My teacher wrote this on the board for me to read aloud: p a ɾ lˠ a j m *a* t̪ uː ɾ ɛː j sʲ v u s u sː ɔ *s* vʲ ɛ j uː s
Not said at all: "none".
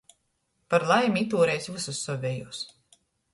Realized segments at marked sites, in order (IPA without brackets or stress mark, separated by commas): i, none